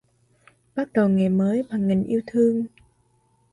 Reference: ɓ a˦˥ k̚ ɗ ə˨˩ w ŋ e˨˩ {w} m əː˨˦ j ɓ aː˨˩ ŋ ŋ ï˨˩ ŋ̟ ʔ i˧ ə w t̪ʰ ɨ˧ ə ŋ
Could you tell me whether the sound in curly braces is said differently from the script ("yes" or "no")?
yes